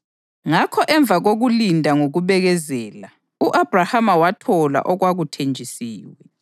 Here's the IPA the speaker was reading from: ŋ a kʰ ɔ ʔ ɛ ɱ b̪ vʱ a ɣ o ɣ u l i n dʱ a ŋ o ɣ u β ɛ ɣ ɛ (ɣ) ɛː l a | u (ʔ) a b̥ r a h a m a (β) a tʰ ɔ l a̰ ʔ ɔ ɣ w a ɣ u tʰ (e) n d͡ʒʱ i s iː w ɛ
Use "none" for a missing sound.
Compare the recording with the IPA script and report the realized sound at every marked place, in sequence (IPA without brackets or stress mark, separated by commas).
z, ʔ, w, e